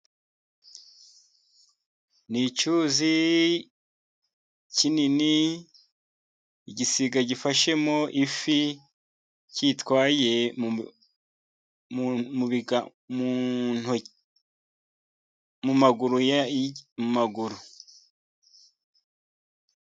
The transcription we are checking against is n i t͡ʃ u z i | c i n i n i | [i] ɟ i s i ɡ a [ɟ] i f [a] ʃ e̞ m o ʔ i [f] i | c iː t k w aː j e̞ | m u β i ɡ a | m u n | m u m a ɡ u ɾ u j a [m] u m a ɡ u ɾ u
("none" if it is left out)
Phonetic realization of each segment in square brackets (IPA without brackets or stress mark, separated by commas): i, ɟ, a, f, m